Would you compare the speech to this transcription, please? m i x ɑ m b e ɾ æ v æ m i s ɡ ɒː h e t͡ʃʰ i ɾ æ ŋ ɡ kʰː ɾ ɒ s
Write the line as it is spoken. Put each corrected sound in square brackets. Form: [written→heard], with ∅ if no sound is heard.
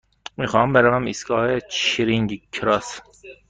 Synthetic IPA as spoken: m i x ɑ m b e ɾ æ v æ m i s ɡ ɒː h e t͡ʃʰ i ɾ [æ→i] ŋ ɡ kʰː ɾ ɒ s